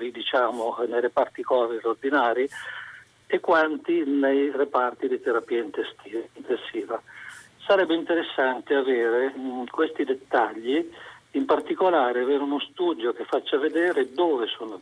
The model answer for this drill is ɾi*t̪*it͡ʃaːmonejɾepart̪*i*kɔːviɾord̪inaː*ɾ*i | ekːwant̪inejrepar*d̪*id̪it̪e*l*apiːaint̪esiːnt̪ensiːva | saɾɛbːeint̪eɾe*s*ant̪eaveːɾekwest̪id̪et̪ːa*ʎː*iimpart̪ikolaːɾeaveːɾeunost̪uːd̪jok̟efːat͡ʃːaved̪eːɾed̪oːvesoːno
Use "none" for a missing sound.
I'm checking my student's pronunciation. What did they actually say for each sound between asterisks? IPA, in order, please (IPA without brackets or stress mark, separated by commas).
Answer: d̪, i, ɾ, t̪, ɾ, sː, ʎː